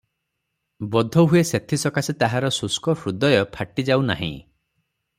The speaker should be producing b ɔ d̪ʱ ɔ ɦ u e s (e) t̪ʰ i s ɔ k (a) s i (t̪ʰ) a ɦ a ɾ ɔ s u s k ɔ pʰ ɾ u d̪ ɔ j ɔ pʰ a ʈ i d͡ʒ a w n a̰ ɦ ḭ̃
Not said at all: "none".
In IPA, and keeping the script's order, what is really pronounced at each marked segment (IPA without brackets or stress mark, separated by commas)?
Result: e, a, t̪